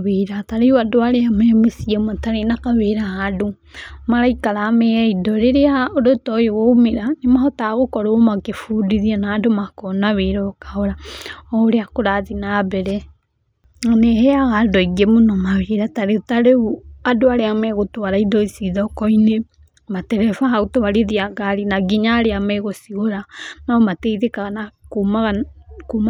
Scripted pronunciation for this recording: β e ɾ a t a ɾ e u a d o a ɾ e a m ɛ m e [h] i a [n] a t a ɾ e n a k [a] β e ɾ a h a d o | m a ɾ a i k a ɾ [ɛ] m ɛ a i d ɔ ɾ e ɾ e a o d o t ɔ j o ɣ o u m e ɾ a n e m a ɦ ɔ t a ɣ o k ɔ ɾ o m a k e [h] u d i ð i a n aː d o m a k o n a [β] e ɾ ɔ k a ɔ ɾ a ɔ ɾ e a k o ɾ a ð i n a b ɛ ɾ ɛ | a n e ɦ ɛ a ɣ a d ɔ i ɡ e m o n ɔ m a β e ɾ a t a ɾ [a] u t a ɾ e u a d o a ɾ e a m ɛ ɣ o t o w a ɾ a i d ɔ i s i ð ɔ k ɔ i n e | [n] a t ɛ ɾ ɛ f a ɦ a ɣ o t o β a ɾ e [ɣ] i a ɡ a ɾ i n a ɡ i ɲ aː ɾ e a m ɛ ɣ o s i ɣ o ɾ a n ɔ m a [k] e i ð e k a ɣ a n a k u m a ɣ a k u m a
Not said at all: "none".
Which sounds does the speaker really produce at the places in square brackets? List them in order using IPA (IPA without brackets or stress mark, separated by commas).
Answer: s, m, a, a, f, β, e, m, ð, t